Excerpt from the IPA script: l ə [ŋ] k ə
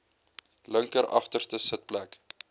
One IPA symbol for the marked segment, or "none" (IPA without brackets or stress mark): ŋ